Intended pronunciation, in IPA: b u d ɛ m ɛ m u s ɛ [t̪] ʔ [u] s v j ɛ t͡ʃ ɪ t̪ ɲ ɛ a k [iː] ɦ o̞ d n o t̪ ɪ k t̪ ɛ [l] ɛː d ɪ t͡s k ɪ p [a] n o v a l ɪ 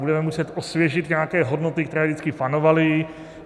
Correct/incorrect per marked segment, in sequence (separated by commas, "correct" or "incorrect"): correct, incorrect, incorrect, incorrect, correct